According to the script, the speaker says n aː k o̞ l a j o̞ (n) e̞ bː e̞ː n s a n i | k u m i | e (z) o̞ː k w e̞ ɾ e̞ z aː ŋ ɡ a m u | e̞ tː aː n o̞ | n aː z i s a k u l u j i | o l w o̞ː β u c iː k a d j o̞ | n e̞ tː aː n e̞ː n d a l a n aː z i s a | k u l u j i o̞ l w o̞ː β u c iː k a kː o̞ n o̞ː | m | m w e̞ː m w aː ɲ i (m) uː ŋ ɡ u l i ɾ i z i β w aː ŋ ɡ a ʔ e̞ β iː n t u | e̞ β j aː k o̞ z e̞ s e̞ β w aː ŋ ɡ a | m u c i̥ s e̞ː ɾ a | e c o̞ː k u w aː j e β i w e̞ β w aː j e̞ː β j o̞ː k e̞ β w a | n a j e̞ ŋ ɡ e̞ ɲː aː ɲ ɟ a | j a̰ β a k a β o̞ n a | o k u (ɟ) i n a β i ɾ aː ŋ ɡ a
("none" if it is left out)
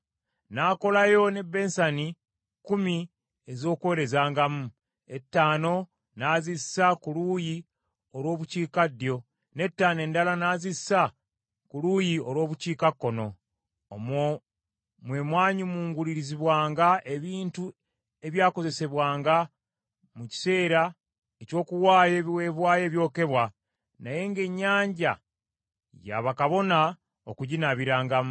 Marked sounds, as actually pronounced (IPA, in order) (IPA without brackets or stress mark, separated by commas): n, z, m, ɟ